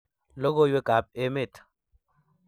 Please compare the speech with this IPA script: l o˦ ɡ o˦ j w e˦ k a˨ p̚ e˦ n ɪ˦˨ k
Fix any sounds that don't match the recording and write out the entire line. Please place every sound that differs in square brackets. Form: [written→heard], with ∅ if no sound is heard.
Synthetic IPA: l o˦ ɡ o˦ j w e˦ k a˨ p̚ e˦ [n→m] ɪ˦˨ [k→t]